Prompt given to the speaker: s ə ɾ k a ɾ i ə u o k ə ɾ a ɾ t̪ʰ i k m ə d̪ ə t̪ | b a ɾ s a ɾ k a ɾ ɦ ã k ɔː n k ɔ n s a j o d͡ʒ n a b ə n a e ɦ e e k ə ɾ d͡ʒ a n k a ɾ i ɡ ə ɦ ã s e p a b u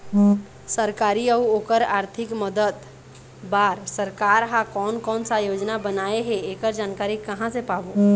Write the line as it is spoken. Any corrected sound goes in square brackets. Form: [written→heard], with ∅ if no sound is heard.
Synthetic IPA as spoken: s ə ɾ k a ɾ i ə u o k ə ɾ a ɾ t̪ʰ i k m ə d̪ ə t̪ | b a ɾ s [a→ə] ɾ k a ɾ ɦ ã k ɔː n k ɔ n s a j o d͡ʒ n a b ə n a e ɦ e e k ə ɾ d͡ʒ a n k a ɾ i [ɡ→k] ə ɦ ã s e p a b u